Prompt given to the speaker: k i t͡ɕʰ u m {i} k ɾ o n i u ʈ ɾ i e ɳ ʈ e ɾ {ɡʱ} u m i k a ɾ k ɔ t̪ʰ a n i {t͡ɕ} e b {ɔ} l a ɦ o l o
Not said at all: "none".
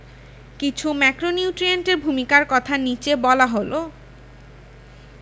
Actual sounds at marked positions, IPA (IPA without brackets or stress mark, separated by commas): ɛ, bʱ, t͡ɕ, ɔ